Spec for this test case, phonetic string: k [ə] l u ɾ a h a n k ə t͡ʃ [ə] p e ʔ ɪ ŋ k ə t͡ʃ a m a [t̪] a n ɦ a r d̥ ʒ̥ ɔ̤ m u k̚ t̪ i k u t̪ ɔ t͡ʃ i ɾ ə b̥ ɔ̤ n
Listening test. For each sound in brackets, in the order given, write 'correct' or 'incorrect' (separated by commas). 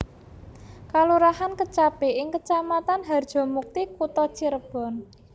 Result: incorrect, incorrect, correct